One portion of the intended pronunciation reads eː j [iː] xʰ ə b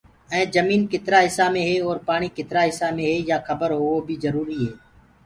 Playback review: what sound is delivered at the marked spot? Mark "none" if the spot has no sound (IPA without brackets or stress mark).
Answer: aː